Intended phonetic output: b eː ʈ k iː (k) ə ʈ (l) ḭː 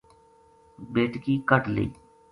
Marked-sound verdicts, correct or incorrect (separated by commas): correct, correct